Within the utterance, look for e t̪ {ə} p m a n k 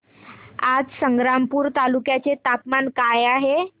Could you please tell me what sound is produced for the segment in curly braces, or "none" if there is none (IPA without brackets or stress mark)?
a